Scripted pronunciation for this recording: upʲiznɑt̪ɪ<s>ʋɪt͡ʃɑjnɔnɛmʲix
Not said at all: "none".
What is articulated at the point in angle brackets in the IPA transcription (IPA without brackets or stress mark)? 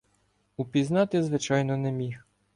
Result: z